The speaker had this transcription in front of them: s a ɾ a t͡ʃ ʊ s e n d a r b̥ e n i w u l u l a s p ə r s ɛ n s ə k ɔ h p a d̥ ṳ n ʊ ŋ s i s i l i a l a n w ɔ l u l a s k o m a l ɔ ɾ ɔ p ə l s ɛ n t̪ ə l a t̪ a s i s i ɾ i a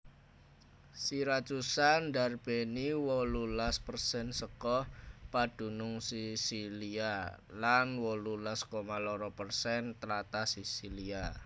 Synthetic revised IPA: s i ɾ a t͡ʃ u s a n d a r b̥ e n i w ɔ l u l a s p ə r s ɛ n s ə k ɔ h p a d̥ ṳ n ʊ ŋ s i s i l i a l a n w ɔ l u l a s k o m a l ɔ ɾ ɔ p ə r s ɛ n t̪ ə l a t̪ a s i s i l i a